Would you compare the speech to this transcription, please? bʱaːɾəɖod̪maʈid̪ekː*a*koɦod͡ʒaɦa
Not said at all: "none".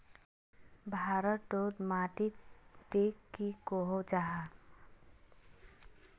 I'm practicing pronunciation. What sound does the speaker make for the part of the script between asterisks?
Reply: i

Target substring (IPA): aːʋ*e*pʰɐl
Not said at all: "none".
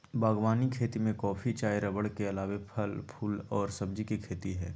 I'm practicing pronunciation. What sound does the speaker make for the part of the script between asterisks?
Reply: e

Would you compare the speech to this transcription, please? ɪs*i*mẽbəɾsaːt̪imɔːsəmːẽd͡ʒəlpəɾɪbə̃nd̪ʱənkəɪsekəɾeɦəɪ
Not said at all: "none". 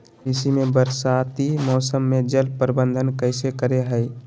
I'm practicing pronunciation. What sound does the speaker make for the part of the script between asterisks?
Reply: i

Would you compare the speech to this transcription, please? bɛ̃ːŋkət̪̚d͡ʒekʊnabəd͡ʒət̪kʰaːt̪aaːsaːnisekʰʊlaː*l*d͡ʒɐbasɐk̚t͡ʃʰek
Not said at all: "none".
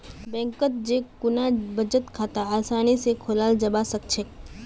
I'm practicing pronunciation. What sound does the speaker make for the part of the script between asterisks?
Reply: l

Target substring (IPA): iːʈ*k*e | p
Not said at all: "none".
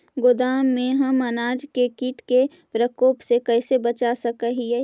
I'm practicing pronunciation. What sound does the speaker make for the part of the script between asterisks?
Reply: k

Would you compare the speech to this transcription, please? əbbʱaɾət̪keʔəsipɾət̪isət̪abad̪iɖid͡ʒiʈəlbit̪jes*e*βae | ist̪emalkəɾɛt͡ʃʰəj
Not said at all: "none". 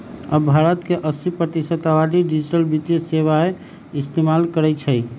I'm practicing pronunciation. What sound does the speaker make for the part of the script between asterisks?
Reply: e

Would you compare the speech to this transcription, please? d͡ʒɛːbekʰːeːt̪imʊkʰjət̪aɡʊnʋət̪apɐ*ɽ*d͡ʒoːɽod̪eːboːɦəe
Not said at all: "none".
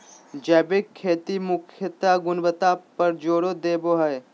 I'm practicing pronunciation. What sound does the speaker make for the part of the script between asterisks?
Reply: ɾ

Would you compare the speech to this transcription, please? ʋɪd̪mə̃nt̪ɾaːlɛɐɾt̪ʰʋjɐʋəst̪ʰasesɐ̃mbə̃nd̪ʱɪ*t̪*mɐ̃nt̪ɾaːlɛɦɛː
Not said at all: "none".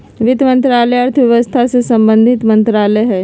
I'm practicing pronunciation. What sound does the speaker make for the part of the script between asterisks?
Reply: t̪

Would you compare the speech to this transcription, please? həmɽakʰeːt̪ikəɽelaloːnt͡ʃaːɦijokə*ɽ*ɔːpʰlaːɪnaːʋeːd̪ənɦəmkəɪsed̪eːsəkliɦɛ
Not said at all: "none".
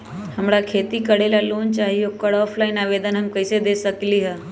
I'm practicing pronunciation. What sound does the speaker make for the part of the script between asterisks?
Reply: ɽ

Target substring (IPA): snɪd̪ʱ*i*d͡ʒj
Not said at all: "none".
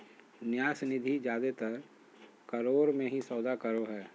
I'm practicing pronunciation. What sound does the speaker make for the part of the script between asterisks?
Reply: i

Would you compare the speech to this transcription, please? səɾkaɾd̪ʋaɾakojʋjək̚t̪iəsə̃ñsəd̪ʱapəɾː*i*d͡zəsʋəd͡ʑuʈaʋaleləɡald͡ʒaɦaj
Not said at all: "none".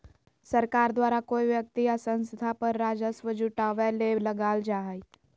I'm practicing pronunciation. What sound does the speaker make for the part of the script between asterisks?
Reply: a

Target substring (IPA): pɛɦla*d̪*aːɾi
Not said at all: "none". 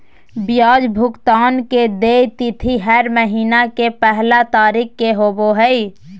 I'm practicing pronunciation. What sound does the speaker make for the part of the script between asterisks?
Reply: t̪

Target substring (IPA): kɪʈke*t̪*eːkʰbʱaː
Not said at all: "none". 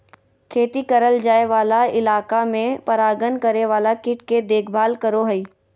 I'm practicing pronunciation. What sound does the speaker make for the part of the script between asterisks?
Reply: d̪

